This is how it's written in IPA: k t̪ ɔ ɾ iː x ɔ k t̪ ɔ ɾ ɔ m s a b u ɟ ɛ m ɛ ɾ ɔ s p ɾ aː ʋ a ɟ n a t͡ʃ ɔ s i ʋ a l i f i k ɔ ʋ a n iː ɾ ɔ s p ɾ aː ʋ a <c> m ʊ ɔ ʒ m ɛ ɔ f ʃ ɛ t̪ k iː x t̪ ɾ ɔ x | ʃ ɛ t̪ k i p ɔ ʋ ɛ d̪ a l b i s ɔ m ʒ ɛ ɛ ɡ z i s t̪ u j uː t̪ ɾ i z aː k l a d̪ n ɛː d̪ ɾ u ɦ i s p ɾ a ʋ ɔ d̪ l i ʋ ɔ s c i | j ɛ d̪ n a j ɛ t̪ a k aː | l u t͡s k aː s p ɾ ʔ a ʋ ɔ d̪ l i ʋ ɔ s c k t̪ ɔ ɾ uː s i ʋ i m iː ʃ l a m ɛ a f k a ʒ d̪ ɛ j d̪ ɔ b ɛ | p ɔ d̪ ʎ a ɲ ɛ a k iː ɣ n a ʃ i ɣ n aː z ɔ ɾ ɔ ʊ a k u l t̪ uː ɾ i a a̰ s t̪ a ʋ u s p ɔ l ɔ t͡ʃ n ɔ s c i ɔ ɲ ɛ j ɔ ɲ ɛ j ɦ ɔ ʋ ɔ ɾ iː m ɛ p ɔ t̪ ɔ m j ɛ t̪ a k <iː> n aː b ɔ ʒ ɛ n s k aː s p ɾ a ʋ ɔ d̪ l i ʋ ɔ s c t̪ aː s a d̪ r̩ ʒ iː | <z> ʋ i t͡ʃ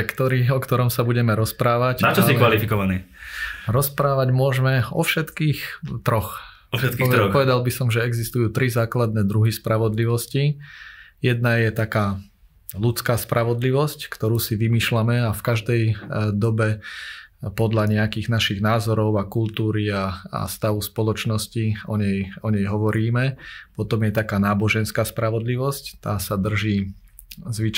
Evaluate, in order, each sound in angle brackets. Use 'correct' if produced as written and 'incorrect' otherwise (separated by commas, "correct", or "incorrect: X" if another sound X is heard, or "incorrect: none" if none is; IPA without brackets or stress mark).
incorrect: ɟ, incorrect: aː, correct